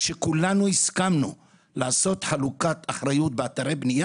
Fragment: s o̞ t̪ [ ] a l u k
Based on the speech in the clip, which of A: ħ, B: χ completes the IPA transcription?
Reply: A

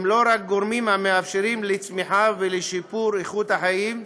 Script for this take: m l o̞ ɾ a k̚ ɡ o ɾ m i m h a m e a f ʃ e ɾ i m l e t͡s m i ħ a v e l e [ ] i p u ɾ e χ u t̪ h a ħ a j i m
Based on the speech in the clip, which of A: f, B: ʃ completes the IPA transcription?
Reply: B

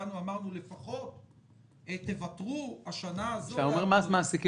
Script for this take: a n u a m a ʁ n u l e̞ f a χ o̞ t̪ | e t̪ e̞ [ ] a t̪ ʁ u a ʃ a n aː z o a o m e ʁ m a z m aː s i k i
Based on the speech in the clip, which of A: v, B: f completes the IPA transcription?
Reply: A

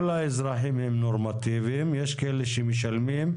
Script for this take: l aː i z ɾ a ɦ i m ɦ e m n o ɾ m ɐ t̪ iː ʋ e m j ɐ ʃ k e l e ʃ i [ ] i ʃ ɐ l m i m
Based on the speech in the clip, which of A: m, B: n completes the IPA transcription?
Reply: A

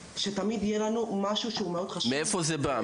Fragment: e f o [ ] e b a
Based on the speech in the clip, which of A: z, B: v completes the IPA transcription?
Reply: A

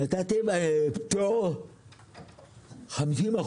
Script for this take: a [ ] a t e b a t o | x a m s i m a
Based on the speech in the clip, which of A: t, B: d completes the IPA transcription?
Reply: A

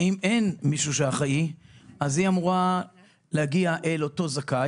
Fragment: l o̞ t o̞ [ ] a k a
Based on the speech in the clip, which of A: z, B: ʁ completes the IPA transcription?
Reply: A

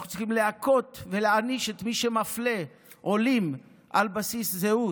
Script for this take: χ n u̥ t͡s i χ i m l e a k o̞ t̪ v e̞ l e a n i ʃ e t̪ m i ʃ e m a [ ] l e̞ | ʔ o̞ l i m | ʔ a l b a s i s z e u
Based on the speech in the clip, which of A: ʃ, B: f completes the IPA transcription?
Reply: B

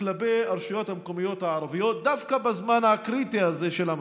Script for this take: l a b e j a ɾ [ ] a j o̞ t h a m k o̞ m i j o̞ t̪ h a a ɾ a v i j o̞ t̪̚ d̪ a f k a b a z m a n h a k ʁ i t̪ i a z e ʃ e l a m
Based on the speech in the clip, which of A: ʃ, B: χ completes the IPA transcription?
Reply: A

